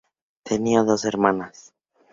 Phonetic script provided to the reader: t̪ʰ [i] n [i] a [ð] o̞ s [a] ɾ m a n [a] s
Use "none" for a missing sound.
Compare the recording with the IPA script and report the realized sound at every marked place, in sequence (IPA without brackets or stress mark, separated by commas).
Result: e, i, ð, e, a